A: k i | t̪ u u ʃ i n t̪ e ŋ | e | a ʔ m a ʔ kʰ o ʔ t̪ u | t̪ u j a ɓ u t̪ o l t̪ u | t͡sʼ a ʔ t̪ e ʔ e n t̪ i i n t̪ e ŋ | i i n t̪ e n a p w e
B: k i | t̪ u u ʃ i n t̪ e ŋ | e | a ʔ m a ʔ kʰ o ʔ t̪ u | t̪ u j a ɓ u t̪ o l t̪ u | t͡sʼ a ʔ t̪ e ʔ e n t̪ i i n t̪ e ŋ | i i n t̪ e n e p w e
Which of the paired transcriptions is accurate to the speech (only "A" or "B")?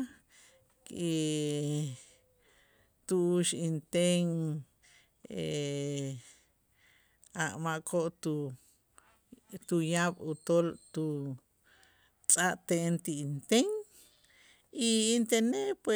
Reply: B